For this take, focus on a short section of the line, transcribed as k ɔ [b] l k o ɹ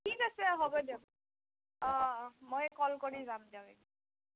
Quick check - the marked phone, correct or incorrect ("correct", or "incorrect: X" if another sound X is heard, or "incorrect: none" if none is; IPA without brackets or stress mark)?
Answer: incorrect: none